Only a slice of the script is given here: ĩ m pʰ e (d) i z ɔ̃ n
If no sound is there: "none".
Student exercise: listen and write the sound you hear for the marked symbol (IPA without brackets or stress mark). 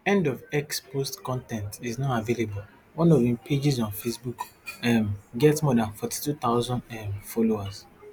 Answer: d͡ʒ